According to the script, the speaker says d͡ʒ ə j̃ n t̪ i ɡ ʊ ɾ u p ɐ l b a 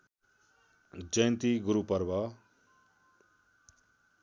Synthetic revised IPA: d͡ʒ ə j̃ n t̪ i ɡ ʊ ɾ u p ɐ ɾ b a